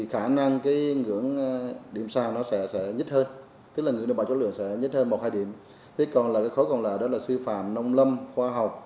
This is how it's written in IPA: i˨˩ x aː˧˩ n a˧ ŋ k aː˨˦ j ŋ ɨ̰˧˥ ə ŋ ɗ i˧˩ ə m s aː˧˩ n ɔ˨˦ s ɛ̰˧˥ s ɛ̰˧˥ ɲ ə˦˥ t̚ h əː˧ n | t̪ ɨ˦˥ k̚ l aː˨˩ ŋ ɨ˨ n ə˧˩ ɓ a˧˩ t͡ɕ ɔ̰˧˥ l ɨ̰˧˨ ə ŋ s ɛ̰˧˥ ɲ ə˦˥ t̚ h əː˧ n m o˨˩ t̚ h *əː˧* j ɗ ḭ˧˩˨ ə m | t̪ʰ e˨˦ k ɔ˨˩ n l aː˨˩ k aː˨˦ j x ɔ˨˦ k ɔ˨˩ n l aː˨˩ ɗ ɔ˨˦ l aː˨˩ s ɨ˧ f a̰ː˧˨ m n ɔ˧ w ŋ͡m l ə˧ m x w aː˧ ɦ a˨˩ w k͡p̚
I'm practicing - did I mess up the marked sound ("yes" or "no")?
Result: yes